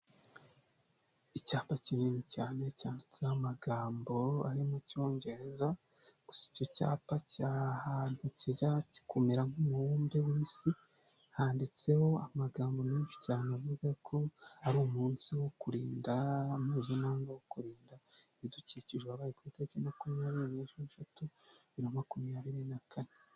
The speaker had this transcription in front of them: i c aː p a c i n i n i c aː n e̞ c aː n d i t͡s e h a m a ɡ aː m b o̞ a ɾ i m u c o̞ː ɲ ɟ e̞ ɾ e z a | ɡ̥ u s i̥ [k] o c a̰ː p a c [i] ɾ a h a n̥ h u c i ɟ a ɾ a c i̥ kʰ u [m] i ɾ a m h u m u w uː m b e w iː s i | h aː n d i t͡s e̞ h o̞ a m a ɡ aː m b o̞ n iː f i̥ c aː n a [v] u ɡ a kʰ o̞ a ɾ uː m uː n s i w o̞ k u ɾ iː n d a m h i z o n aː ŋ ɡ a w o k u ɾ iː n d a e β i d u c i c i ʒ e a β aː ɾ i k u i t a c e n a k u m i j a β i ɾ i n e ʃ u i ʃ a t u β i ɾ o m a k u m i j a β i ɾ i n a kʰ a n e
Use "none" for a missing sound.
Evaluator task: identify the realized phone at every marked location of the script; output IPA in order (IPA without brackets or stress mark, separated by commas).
c, a, m, v